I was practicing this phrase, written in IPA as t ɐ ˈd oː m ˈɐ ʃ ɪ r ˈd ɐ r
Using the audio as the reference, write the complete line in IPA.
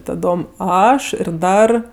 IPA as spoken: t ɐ ˈd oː m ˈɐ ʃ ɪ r ˈd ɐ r